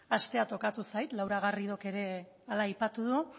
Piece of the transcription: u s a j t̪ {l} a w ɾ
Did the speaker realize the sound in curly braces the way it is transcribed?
yes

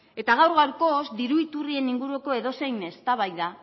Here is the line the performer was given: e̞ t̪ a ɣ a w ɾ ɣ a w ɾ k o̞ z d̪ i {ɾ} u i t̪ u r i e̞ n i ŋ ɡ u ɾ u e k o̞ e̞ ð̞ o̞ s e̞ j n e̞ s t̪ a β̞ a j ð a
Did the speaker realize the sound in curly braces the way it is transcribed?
yes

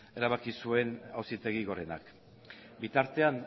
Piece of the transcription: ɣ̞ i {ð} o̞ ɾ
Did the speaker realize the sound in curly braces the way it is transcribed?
no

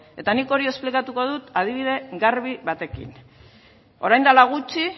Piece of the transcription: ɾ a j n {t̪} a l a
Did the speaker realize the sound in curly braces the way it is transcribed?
no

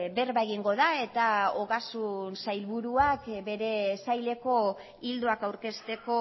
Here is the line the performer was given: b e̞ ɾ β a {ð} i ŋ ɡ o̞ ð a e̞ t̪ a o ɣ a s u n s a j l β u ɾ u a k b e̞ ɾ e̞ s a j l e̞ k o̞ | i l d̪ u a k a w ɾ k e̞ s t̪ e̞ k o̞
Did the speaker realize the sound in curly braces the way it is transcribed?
no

